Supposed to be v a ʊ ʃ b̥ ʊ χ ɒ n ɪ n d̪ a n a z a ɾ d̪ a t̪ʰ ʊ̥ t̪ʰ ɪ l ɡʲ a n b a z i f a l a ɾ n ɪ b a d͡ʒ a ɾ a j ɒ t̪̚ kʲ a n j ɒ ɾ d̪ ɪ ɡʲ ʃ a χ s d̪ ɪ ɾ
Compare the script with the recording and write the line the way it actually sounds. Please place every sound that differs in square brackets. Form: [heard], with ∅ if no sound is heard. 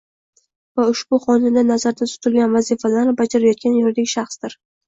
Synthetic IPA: v a ʊ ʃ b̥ ʊ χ ɒ n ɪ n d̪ a n a z a ɾ d̪ a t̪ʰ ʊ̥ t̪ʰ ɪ l ɡʲ a n [v] a z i f a l a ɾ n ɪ b a d͡ʒ a ɾ a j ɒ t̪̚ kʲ a n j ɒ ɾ d̪ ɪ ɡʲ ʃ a χ s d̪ ɪ ɾ